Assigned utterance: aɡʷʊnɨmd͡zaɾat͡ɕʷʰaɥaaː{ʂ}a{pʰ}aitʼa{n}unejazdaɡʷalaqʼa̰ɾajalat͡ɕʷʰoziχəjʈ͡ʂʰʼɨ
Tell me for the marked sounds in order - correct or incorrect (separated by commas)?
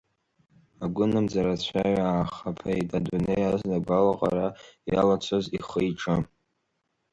incorrect, correct, incorrect